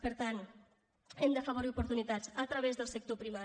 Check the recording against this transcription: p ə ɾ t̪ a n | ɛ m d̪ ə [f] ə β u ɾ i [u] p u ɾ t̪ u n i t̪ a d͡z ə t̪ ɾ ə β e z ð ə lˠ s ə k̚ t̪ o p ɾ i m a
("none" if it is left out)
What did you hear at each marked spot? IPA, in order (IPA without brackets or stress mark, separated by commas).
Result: f, u